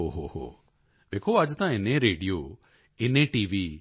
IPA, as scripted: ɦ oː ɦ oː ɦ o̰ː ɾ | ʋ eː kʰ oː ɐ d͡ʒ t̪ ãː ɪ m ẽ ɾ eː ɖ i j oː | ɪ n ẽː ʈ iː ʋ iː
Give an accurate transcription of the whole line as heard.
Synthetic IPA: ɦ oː ɦ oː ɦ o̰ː | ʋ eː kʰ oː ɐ d͡ʒ t̪ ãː ɪ n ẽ ɾ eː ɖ i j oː | ɪ n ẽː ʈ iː ʋ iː